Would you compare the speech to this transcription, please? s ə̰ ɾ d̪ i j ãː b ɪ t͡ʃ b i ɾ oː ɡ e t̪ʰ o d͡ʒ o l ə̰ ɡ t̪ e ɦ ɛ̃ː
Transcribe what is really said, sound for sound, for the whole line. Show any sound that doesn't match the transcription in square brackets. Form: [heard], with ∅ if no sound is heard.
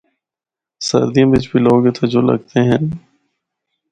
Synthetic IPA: s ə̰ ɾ d̪ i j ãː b ɪ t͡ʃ b i [l] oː ɡ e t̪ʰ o d͡ʒ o l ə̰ ɡ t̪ e ɦ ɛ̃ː